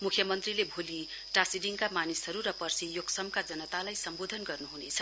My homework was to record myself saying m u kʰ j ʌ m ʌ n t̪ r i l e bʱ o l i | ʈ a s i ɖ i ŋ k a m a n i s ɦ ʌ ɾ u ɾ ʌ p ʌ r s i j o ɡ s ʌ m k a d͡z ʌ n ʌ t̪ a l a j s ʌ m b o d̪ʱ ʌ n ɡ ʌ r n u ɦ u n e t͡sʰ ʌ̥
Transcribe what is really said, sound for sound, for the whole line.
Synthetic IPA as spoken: m u kʰ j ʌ m ʌ n t̪ r i l e bʱ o l i | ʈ a s i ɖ i ŋ k a m a n i s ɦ ʌ ɾ u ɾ ʌ p ʌ r s i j o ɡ s ʌ m k a d͡z ʌ n ʌ t̪ a l a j s ʌ m b o d̪ʱ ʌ n ɡ ʌ r n u ɦ u n e t͡sʰ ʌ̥